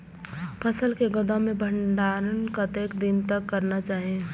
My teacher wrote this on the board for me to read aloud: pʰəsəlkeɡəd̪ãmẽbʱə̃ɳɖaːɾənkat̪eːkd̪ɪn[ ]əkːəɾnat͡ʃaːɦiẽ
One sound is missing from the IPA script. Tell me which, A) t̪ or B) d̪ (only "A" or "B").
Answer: A